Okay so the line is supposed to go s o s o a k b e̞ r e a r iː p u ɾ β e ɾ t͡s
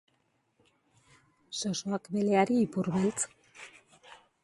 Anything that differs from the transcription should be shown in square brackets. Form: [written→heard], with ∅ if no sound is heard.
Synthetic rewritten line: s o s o a k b e̞ [r→l] e a [r→ɾ] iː p u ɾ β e [ɾ→l] t͡s